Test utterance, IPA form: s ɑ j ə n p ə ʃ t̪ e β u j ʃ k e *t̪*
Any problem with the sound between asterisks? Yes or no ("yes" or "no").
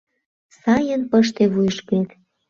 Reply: no